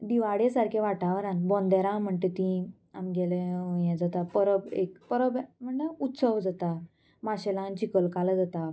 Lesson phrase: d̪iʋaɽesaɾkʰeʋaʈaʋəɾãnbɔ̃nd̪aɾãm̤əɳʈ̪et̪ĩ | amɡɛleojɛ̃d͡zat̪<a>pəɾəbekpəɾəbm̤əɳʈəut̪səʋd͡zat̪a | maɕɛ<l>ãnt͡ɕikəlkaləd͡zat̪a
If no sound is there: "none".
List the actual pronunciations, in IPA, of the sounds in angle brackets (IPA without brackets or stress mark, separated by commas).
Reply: a, l